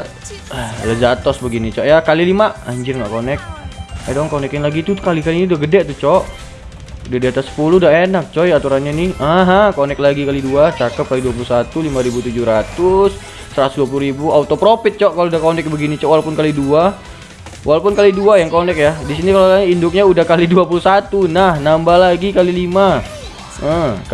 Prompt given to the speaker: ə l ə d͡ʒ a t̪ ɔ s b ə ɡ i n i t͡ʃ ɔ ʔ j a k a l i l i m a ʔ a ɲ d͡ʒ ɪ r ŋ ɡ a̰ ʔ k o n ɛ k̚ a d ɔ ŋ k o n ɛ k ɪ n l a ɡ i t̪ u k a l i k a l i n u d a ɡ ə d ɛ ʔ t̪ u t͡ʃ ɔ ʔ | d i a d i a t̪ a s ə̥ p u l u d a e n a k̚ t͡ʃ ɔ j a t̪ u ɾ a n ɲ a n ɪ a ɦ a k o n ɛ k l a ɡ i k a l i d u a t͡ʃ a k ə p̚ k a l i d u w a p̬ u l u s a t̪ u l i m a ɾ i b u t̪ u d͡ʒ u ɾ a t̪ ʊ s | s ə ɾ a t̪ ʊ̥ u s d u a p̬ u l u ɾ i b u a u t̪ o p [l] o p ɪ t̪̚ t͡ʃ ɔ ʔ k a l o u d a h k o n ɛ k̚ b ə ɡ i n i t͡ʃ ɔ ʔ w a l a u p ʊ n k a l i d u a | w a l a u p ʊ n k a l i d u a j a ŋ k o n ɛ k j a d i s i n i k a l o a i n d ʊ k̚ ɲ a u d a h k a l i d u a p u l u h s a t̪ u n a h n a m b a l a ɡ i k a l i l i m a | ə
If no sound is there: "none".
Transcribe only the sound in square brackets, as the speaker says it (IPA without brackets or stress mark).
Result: ɾ